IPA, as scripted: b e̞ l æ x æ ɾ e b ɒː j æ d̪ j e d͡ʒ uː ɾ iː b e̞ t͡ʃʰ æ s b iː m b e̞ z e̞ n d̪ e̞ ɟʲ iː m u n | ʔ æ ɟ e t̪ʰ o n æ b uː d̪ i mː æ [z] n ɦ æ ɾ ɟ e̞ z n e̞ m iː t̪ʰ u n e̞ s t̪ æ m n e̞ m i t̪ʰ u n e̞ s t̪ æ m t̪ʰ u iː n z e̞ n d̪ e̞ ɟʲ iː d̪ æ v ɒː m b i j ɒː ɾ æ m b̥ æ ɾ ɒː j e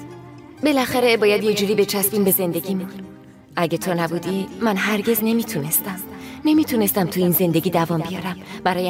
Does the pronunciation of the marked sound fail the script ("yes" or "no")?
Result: yes